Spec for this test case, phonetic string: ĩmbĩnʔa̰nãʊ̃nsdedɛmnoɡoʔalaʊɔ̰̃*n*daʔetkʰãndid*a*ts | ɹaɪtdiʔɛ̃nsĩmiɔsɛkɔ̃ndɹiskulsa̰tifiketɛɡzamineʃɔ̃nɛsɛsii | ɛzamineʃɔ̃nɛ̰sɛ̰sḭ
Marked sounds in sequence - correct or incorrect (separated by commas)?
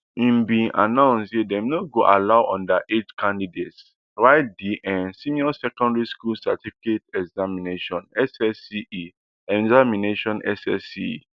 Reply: correct, incorrect